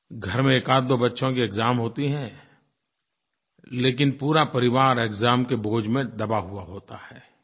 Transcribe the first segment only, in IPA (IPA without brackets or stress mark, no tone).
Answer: ɡʱ